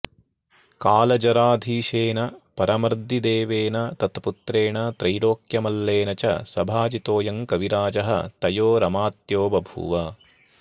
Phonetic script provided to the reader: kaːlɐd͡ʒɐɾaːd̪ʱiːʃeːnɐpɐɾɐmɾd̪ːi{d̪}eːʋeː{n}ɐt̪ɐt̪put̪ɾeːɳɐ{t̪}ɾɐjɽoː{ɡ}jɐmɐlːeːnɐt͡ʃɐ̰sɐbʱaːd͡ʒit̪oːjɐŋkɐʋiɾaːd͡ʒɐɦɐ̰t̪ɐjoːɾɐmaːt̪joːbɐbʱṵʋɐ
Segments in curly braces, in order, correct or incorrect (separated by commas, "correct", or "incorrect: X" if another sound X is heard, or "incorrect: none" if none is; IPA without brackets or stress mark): correct, correct, correct, incorrect: k